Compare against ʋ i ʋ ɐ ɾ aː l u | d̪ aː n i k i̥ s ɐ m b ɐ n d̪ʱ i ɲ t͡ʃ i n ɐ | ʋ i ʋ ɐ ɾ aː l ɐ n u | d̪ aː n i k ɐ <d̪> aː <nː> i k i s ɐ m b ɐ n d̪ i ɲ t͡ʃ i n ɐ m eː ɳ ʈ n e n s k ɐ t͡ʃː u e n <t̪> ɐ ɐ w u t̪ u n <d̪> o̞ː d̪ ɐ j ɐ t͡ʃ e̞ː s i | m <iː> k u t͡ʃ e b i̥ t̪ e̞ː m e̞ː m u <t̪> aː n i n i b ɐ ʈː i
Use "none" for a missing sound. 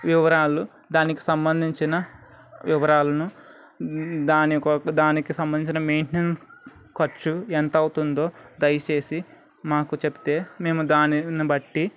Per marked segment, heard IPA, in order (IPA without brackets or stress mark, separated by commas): d̪, n, t̪, d̪, aː, d̪